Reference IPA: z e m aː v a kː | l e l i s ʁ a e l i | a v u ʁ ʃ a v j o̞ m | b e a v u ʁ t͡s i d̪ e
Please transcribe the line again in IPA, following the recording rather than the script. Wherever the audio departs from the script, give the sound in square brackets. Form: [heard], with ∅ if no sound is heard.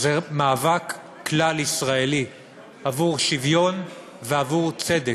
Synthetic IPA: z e m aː v a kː | l [a] l i s ʁ a e l i | a v u ʁ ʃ [i] v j o̞ [n] | [v] e a v u ʁ t͡s [e] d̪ e

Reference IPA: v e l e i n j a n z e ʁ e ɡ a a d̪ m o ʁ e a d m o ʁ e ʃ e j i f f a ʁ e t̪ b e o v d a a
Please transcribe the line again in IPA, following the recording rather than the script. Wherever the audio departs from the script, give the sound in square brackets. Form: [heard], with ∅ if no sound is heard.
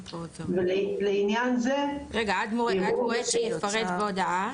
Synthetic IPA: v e l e i n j a n z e ʁ e ɡ a a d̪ m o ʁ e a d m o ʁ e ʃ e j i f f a ʁ e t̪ b e o [∅] d a a

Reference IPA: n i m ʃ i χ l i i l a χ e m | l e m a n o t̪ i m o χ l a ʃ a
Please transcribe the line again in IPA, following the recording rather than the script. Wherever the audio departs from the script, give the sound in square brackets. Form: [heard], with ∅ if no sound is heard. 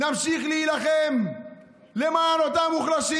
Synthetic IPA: n [a] m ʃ i χ l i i l a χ e m | l e m a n o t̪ [a] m [u] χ l a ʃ [i]

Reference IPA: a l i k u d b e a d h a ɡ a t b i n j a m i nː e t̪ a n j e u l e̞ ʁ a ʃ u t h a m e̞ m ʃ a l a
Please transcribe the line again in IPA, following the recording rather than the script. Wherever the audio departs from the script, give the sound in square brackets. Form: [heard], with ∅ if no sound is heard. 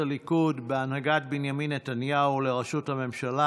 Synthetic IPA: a l i k u d b e a [n] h a ɡ a t b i n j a m i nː e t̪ a n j [a] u l e̞ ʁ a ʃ u t h a m e̞ m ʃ a l a

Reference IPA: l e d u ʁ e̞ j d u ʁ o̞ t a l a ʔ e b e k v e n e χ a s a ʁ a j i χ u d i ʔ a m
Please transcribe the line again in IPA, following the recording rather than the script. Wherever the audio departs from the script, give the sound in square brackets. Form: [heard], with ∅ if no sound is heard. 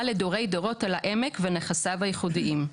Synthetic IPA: l e d [o] ʁ e̞ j d [o] ʁ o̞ t a l a ʔ e [m] e k v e n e χ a s a [v] a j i χ u d i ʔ [i] m

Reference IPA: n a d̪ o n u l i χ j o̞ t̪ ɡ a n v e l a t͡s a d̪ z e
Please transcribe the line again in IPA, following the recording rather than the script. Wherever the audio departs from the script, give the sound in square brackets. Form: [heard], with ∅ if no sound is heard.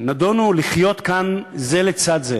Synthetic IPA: n a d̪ o n u l i χ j o̞ t̪ [k] a n [z] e l [e] t͡s a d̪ z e

